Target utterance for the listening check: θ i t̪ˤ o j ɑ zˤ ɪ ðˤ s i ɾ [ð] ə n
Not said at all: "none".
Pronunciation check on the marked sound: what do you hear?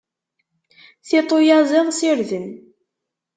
ð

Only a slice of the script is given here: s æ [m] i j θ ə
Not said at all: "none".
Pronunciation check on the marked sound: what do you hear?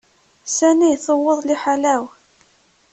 n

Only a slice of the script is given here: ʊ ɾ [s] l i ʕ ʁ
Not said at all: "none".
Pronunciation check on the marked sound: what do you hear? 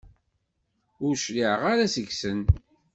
ʃ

